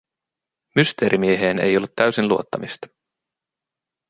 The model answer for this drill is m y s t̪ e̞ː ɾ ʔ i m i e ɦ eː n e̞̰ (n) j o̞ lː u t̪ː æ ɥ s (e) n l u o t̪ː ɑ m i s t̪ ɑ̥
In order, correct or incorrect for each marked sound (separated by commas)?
incorrect, incorrect